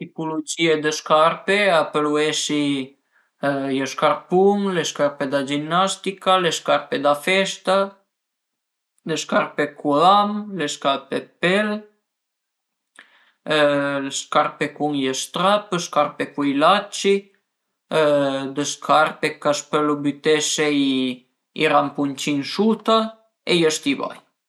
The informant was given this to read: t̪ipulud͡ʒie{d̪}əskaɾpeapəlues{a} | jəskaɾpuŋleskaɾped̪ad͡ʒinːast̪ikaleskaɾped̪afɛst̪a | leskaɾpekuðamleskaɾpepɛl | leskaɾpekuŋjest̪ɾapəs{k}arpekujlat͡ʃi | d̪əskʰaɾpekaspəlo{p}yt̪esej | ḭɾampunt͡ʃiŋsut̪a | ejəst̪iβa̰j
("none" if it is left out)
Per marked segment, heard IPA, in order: d̪, i, k, b

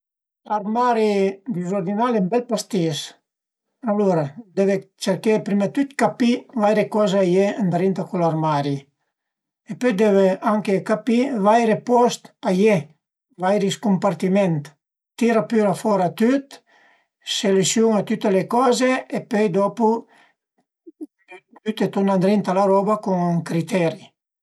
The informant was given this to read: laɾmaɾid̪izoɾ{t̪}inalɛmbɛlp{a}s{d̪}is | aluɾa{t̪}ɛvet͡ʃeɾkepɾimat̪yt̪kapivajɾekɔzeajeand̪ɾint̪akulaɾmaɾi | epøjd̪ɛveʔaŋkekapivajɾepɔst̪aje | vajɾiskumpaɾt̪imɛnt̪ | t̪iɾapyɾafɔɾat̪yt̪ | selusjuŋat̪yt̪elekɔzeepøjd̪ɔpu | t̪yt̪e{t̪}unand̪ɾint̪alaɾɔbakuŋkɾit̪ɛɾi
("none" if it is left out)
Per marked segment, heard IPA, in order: d̪, a, t̪, d̪, t̪

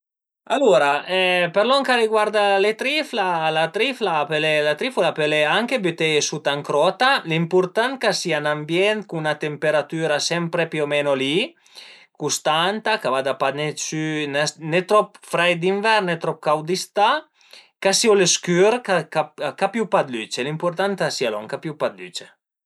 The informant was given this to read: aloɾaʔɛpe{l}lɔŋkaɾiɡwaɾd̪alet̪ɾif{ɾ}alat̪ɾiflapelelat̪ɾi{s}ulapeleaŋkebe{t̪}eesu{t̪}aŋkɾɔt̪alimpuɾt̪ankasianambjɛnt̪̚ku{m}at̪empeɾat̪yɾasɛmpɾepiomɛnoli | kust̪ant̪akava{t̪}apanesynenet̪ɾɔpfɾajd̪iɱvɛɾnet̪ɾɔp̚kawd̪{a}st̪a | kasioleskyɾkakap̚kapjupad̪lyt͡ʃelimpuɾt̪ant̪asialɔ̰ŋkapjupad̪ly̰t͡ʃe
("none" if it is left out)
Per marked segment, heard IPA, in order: ɾ, l, f, t̪, t̪, n, d̪, i

